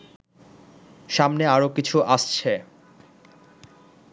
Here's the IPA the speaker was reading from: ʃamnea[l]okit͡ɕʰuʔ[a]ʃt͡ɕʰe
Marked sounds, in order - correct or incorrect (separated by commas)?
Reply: incorrect, correct